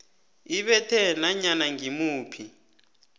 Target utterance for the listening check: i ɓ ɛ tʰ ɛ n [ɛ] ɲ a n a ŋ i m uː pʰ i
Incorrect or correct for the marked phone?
incorrect: a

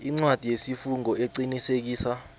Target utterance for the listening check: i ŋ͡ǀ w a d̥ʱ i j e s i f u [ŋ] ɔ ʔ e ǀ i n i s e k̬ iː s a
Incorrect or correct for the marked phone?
correct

